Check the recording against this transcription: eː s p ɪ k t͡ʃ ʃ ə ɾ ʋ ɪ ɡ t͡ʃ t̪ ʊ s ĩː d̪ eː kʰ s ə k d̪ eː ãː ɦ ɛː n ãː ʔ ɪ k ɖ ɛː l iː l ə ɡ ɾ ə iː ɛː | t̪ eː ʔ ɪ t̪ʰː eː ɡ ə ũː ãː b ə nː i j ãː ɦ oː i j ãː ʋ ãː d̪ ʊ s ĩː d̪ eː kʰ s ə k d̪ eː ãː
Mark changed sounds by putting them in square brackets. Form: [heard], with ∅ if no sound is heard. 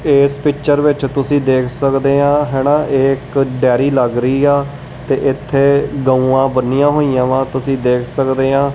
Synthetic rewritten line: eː s p ɪ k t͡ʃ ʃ ə ɾ ʋ ɪ [∅] t͡ʃ t̪ ʊ s ĩː d̪ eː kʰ s ə k d̪ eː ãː ɦ ɛː n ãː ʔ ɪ k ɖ ɛː [ɾ] iː l ə ɡ ɾ ə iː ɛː | t̪ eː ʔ ɪ t̪ʰː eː ɡ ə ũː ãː b ə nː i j ãː ɦ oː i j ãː ʋ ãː [t̪] ʊ s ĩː d̪ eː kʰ s ə k d̪ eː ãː